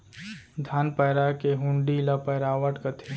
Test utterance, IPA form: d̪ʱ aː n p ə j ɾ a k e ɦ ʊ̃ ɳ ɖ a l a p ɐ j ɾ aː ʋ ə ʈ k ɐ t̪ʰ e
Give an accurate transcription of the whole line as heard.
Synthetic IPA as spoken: d̪ʱ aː n p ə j ɾ a k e ɦ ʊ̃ ɳ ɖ i l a p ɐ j ɾ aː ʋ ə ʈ k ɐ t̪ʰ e